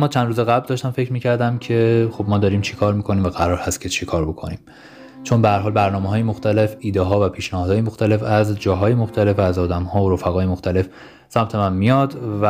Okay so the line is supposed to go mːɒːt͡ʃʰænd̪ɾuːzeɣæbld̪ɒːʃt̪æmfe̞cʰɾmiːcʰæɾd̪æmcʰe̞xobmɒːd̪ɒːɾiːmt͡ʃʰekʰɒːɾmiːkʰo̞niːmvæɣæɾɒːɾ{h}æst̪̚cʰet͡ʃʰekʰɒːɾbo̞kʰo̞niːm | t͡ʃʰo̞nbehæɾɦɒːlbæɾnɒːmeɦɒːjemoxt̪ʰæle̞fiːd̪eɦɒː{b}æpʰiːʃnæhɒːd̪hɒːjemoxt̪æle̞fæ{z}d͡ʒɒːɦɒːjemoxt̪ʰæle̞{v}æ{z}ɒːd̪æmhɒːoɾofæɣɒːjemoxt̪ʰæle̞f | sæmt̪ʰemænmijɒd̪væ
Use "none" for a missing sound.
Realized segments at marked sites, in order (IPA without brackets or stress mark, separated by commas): h, v, z, f, z